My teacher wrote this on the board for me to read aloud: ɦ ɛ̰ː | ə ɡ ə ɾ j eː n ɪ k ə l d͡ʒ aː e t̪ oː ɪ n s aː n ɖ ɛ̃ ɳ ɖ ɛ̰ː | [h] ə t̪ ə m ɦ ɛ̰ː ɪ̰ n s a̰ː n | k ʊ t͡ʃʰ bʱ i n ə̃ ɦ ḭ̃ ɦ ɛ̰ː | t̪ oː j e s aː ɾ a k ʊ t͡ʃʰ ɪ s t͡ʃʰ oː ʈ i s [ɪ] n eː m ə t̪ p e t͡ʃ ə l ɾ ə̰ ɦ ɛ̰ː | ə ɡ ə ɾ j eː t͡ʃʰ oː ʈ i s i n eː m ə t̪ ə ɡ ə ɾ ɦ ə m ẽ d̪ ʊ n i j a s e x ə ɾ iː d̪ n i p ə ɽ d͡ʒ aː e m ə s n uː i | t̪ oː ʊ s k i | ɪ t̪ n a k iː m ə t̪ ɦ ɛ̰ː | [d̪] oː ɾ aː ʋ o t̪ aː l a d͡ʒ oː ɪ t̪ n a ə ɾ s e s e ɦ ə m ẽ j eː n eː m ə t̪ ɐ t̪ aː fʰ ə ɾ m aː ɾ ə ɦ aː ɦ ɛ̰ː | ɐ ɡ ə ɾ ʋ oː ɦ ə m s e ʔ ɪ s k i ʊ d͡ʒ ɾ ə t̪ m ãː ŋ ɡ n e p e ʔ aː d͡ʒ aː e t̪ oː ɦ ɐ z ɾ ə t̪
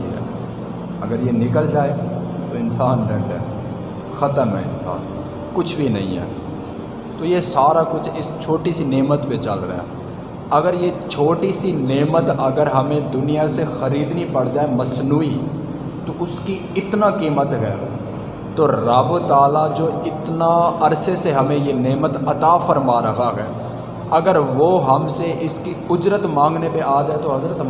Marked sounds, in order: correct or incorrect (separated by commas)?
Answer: incorrect, incorrect, incorrect